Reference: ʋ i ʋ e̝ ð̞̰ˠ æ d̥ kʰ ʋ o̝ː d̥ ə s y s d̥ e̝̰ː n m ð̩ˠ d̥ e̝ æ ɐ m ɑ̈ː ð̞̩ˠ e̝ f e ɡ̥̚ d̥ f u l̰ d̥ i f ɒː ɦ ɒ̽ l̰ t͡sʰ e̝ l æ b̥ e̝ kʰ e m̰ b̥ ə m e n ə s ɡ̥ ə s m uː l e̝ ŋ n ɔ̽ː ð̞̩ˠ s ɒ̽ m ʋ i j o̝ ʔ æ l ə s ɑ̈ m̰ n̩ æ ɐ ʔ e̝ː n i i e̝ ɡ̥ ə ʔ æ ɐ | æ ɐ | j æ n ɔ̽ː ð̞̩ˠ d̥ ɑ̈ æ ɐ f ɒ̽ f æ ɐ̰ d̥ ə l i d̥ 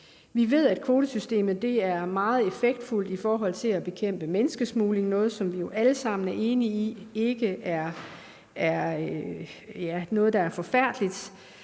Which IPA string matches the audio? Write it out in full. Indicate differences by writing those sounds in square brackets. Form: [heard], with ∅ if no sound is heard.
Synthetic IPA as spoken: ʋ i ʋ e̝ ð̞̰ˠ æ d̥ kʰ ʋ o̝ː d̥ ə s y s d̥ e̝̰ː [∅] m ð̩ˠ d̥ e̝ æ ɐ m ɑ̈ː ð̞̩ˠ e̝ f e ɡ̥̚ d̥ f u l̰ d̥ i f ɒː ɦ ɒ̽ l̰ t͡sʰ e̝ l æ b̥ e̝ kʰ e m̰ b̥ ə m e n ə s ɡ̥ ə s m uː l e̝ ŋ n ɔ̽ː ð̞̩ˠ s ɒ̽ m ʋ i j o̝ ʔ æ l ə s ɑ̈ m̰ n̩ æ ɐ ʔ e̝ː n i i e̝ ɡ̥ ə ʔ æ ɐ | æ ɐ | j æ n ɔ̽ː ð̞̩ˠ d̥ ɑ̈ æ ɐ f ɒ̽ f æ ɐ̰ d̥ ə l i d̥